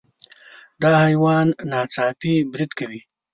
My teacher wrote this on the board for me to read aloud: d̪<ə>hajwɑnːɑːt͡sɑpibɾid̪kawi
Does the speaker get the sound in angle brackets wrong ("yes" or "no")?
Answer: yes